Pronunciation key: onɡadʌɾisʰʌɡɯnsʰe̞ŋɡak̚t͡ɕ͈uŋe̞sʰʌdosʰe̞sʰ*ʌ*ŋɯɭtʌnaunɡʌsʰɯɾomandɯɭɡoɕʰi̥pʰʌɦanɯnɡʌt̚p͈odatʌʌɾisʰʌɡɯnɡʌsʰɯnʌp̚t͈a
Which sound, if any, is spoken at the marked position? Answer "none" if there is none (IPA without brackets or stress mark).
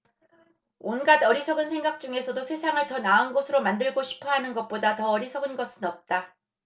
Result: a